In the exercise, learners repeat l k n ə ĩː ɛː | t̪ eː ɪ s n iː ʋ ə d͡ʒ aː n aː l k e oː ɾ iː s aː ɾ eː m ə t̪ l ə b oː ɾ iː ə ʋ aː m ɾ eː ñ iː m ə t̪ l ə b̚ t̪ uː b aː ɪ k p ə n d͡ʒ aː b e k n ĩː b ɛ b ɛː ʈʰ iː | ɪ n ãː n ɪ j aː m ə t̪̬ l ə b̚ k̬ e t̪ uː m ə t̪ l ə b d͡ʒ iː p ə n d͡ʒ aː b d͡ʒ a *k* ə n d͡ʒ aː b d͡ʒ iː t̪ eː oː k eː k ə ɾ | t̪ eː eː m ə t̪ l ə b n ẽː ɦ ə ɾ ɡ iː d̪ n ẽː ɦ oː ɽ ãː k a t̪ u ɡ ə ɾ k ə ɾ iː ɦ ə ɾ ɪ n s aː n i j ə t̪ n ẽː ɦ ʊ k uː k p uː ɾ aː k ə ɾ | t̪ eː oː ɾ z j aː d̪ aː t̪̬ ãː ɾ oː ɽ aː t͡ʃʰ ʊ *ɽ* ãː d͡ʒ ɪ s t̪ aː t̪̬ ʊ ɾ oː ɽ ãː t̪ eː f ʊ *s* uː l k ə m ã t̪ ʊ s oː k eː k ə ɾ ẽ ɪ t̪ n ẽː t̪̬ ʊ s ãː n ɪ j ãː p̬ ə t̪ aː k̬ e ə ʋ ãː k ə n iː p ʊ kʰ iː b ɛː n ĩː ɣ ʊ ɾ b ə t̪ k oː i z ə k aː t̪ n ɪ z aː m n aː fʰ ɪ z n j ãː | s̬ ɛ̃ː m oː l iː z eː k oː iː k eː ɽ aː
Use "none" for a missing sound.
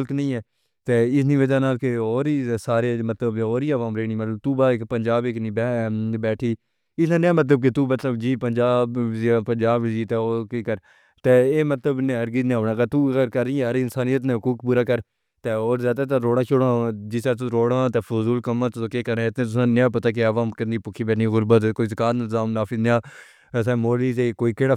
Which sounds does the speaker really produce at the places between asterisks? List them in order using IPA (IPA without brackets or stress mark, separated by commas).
p, ɽ, z